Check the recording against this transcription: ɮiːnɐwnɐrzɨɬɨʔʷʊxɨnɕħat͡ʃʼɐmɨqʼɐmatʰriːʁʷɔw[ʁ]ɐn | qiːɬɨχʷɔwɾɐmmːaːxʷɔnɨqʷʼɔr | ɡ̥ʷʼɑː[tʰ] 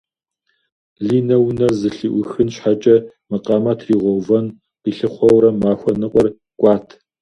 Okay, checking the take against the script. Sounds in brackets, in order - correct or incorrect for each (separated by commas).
incorrect, correct